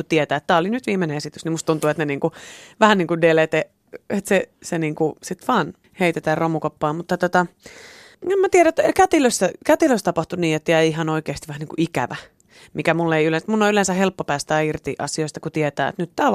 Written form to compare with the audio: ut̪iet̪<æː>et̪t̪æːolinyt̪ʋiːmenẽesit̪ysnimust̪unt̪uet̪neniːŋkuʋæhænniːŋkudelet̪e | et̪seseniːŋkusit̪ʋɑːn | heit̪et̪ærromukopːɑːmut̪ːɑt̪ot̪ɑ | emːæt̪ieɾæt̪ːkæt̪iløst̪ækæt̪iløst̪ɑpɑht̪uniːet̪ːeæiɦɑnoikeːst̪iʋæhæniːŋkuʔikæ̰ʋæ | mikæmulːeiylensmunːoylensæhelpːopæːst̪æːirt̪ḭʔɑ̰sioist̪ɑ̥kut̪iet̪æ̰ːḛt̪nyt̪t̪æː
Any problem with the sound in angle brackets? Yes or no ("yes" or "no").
no